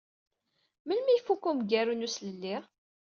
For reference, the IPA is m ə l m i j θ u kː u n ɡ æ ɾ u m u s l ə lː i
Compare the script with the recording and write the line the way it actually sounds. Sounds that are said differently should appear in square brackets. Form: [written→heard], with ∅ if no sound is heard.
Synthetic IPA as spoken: m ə l m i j [θ→f] u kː u [n→m] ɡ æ ɾ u [m→n] u s l ə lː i